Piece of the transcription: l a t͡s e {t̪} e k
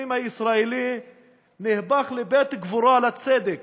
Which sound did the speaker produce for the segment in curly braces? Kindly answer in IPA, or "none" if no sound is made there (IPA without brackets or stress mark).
d̪